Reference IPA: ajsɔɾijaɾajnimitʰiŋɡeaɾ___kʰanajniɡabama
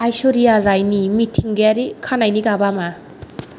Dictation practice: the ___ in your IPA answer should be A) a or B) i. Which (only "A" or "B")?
B